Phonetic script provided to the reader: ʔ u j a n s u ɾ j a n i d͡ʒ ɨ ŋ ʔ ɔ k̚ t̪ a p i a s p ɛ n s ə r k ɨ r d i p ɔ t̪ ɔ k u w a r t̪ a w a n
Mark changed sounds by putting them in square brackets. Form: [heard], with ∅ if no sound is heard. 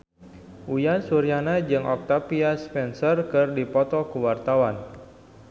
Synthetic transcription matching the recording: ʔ u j a n s u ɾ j a n [a] d͡ʒ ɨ ŋ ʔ ɔ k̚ t̪ a p i a s p ɛ n s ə r k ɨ r d i p ɔ t̪ ɔ k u w a r t̪ a w a n